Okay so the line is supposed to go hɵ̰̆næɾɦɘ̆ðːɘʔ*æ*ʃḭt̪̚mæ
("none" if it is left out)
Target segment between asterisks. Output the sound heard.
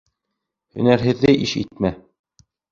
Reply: i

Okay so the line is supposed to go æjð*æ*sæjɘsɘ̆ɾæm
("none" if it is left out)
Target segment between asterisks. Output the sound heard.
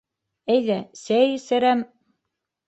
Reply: æ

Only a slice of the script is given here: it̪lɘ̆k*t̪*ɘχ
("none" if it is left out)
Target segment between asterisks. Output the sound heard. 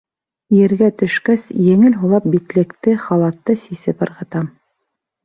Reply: t̪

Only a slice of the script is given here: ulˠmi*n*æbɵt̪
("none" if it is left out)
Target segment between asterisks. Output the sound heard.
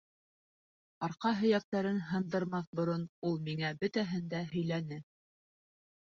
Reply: ŋ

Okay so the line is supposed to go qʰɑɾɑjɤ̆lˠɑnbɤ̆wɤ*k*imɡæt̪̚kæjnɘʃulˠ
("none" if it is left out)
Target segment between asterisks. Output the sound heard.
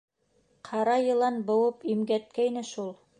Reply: p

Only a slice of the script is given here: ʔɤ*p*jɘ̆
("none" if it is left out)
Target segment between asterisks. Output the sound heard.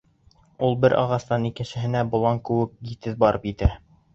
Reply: p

